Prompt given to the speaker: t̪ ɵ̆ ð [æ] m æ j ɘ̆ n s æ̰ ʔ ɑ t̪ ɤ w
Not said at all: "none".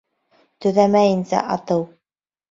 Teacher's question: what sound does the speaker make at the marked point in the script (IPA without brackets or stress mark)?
æ